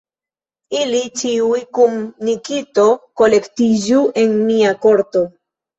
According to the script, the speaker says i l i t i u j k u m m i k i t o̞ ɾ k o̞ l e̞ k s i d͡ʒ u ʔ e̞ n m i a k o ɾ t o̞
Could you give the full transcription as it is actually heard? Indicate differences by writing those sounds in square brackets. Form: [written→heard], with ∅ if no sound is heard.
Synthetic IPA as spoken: i l i [t→t͡ʃ] i u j k u m [m→n] i k i t o̞ [ɾ→∅] k o̞ l e̞ k [s→t] i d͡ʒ u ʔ e̞ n m i a k o ɾ t o̞